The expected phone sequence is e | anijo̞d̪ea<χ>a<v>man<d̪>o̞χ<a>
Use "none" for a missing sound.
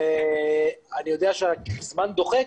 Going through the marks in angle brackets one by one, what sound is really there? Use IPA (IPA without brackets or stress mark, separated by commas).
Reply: ʃ, z, d̪, e